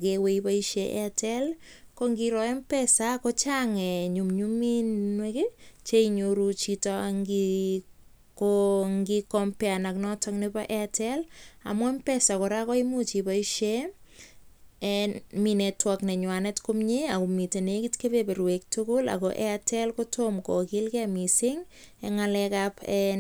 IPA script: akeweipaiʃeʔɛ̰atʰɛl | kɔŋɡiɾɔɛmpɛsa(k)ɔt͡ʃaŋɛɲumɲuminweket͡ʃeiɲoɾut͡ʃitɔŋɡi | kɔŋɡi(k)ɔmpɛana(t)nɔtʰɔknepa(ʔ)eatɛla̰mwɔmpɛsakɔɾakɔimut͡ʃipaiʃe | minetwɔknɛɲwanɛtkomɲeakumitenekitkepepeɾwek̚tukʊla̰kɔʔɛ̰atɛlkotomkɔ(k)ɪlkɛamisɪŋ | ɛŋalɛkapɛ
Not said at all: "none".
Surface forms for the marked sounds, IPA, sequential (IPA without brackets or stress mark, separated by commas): k, k, k, ʔ, k